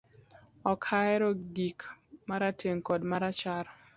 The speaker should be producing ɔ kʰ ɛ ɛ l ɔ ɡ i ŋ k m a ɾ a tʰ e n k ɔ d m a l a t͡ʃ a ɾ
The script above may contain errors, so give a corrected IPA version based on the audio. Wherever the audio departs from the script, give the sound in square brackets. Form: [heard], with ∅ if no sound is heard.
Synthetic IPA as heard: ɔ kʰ [a] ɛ [ɾ] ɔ ɡ i [∅] k m a ɾ a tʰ e [ŋ] k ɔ d m a [ɾ] a t͡ʃ a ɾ